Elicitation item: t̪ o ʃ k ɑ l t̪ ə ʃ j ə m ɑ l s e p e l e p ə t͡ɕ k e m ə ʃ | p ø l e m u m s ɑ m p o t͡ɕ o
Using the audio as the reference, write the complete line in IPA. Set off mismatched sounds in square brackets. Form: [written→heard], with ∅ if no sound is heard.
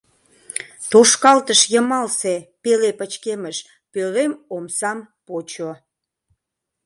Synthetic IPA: t̪ o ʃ k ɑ l t̪ ə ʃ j ə m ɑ l s e p e l e p ə t͡ɕ k e m ə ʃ | p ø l e m [u→o] m s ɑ m p o t͡ɕ o